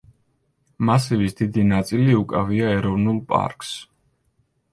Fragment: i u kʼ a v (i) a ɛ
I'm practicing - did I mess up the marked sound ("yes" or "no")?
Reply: no